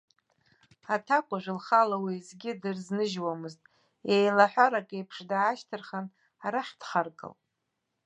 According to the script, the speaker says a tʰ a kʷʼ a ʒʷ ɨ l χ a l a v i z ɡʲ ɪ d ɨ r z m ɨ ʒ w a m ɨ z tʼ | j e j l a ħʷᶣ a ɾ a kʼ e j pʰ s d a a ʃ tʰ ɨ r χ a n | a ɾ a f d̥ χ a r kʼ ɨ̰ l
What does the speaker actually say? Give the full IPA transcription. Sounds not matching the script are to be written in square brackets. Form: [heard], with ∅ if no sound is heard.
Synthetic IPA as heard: a tʰ a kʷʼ a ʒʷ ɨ l χ a l a [w] i z ɡʲ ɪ d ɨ r z [n] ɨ ʒ w a m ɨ z tʼ | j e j l a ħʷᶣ a ɾ a kʼ e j pʰ [ʂ] d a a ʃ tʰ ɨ r χ a n | a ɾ a [ħ] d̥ χ a r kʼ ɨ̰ l